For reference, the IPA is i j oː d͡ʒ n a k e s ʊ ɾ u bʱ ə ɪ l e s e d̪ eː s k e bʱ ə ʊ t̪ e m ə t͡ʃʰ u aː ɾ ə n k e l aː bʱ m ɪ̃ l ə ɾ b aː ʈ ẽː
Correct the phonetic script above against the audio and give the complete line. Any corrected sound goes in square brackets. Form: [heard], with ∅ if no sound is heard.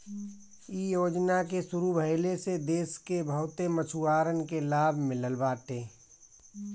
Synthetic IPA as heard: i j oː d͡ʒ n a k e s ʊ ɾ u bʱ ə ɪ l e s e d̪ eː s k e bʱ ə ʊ t̪ e m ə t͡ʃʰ u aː ɾ ə n k e l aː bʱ m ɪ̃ l ə [l] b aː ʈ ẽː

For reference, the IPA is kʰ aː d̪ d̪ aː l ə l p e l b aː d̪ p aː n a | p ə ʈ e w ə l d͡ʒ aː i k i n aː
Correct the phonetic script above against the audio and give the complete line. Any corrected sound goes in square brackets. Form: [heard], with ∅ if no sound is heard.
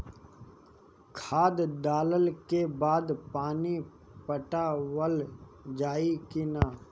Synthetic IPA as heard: kʰ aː d̪ d̪ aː l ə l [k] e [∅] b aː d̪ p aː n [i] | p ə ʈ [a] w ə l d͡ʒ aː i k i n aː

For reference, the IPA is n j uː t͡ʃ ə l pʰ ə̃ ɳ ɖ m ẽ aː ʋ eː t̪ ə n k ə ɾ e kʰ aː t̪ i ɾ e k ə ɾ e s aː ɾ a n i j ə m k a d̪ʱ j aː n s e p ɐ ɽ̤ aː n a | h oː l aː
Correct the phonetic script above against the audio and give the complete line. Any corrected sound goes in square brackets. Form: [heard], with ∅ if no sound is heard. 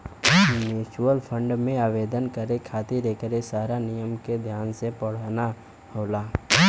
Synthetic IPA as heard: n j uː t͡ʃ ə l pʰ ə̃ ɳ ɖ m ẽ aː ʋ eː [d̪] ə n k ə ɾ e kʰ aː t̪ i ɾ e k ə ɾ e s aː ɾ a n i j ə m k [e] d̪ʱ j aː n s e p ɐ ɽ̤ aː n a | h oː l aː

